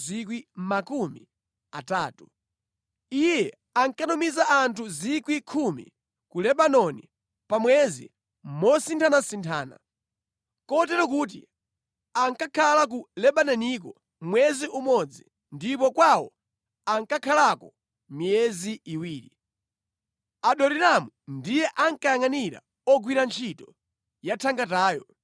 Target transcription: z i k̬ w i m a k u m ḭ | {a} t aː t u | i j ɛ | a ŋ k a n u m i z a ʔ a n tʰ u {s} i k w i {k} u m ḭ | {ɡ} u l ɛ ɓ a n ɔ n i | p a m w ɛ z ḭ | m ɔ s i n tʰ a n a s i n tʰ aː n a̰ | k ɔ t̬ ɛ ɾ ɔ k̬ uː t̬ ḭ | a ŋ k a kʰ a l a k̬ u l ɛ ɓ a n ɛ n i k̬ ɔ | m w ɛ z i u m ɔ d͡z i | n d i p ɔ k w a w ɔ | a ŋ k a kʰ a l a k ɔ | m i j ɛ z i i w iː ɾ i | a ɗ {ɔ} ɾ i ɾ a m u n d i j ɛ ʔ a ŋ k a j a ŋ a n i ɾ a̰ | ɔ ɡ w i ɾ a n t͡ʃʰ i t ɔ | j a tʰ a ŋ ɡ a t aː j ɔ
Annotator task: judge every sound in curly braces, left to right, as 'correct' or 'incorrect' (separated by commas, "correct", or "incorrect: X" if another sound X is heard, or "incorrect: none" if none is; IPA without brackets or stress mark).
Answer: correct, incorrect: z, incorrect: kʰ, incorrect: k, correct